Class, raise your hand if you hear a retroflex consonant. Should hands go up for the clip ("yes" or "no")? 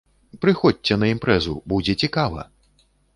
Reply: no